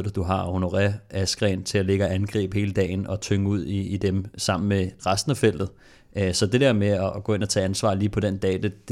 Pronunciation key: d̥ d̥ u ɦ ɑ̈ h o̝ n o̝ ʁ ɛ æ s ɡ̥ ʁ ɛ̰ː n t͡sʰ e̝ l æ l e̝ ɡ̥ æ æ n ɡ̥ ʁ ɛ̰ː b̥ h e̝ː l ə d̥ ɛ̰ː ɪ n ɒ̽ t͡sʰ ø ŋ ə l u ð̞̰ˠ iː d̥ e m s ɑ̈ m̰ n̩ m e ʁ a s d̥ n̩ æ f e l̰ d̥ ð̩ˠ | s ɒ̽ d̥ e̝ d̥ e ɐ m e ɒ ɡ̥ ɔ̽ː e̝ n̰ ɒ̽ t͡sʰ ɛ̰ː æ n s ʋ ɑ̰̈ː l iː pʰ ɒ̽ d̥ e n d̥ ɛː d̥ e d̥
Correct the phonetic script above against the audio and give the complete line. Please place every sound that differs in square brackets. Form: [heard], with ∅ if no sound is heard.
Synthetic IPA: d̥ d̥ u ɦ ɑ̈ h o̝ n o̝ ʁ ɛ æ s ɡ̥ ʁ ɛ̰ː n t͡sʰ e̝ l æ l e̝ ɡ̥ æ æ n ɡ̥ ʁ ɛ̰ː b̥ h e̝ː l ə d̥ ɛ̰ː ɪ n ɒ̽ t͡sʰ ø ŋ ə [∅] u ð̞̰ˠ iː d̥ e m s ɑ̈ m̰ n̩ m e ʁ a s d̥ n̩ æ f e l̰ d̥ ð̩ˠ | s ɒ̽ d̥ e̝ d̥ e ɐ m e ɒ ɡ̥ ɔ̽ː e̝ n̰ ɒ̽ t͡sʰ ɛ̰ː æ n s ʋ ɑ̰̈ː l iː pʰ ɒ̽ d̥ e n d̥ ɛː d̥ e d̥